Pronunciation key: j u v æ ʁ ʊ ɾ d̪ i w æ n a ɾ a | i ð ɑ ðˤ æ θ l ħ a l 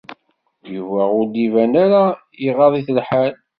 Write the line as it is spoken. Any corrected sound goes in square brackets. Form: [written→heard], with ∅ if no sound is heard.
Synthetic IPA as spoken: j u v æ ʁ ʊ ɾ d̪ i [w→v] æ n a ɾ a | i [ð→ʁ] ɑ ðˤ [æ→i] θ l ħ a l